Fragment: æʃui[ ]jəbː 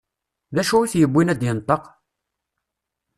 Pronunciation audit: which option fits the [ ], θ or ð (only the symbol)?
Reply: θ